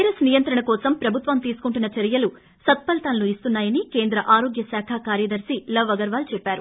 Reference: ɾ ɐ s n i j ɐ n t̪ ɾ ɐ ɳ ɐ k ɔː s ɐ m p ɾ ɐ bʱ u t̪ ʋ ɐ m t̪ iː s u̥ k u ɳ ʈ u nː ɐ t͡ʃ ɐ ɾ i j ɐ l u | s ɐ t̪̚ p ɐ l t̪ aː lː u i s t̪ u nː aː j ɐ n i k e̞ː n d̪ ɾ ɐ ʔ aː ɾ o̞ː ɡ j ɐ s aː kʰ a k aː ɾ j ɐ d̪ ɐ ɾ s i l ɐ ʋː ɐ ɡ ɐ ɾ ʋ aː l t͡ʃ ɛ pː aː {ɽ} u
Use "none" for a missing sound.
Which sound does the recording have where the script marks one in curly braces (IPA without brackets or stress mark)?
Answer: ɾ